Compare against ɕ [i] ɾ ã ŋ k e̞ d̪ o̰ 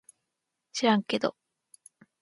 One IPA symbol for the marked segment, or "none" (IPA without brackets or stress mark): i